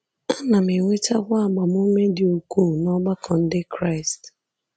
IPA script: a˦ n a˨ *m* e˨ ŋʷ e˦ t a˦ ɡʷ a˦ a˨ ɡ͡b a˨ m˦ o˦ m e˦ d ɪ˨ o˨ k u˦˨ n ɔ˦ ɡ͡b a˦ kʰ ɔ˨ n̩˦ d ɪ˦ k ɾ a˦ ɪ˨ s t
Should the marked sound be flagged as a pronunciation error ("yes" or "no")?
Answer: no